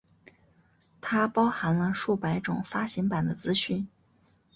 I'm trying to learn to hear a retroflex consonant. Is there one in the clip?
yes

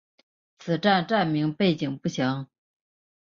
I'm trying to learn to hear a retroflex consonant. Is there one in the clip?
yes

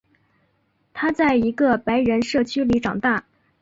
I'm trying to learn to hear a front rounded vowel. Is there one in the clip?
yes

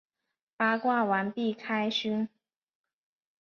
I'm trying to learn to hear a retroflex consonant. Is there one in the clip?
no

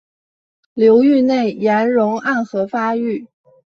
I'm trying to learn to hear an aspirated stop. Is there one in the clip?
no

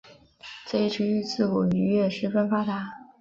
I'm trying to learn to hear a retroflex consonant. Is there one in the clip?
yes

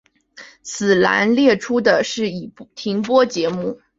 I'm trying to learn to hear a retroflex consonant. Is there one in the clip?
yes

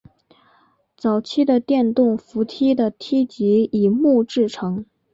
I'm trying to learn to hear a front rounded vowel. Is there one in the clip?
no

